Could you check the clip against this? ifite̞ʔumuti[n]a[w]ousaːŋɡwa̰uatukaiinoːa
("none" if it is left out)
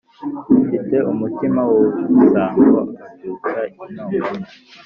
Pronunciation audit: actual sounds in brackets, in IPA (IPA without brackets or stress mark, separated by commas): m, w